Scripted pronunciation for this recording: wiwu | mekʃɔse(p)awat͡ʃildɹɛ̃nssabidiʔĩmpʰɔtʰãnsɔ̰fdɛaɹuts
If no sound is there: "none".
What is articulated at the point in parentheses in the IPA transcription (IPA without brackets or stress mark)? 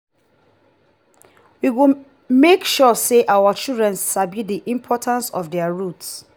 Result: ʔ